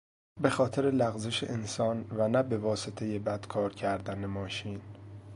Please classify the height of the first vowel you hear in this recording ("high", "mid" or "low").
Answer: mid